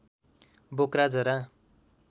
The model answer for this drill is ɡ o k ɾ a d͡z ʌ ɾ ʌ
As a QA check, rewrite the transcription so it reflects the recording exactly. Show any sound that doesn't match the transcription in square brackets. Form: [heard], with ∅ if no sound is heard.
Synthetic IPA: [b] o k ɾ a d͡z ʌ ɾ [a]